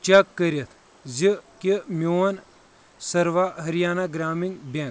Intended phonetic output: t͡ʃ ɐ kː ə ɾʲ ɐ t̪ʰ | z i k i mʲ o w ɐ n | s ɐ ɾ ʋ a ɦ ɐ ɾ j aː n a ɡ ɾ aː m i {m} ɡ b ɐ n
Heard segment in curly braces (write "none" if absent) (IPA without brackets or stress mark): ŋ